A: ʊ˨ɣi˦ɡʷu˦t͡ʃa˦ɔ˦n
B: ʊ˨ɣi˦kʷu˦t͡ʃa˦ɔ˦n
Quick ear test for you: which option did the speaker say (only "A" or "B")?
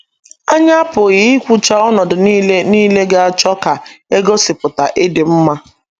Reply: B